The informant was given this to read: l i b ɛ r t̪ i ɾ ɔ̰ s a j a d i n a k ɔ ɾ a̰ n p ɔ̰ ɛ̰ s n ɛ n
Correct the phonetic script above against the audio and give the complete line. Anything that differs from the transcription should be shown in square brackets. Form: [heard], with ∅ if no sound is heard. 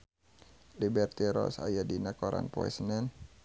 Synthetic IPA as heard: l i b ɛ r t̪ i ɾ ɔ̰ s a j a d i n a k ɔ ɾ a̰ n p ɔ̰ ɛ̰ s n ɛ n